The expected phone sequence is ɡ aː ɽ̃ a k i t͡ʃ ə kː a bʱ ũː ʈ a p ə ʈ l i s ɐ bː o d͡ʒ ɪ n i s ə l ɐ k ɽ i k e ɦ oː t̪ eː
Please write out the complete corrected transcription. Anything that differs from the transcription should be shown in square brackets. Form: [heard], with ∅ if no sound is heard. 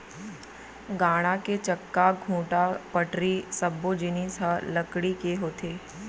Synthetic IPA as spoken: ɡ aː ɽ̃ a k [e] t͡ʃ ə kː a [ɡʱ] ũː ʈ a p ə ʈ [ɾ] i s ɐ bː o d͡ʒ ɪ n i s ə l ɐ k ɽ i k e ɦ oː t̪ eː